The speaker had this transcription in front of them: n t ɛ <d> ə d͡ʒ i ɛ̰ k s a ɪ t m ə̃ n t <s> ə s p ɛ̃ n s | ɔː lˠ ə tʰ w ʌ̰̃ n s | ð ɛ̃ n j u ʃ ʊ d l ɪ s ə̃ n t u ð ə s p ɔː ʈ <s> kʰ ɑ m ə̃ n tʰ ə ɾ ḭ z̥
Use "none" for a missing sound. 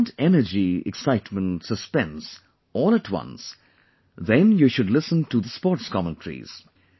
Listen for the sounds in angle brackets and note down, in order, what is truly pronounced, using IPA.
n, s, s

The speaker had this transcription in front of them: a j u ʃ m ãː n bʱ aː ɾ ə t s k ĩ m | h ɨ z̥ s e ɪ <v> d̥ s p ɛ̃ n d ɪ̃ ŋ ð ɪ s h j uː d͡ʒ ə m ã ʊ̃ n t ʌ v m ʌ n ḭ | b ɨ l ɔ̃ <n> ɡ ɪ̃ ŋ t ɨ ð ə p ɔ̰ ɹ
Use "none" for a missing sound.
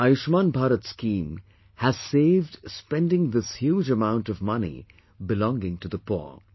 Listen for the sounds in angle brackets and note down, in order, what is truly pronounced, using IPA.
v, ŋ

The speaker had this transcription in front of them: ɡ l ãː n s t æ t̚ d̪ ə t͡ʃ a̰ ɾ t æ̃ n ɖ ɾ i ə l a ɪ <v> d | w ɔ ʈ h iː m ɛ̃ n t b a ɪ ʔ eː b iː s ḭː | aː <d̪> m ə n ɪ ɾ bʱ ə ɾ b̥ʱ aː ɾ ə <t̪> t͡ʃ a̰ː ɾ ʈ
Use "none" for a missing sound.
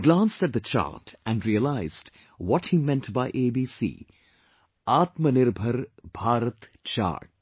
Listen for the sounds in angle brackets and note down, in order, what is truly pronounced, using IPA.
z, t̪, t̪

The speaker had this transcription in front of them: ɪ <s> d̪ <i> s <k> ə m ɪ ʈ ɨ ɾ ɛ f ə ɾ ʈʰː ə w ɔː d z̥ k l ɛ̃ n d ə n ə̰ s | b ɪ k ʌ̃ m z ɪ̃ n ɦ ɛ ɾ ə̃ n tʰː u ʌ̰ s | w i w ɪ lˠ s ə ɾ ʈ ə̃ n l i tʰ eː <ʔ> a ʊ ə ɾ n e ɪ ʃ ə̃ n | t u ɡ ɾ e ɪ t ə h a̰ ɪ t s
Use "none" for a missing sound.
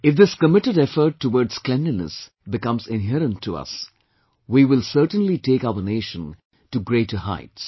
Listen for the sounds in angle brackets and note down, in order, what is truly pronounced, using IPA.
f, ɪ, k, k

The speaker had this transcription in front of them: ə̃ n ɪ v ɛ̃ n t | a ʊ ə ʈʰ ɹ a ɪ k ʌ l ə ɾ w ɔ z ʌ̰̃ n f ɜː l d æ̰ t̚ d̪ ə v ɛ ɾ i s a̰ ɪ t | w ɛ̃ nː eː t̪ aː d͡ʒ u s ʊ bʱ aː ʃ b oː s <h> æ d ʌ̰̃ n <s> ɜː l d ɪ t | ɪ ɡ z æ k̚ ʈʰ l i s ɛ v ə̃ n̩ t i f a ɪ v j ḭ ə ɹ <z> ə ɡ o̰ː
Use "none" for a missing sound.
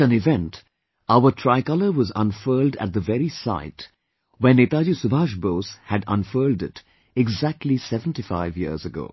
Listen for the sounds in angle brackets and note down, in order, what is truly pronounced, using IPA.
h, f, z

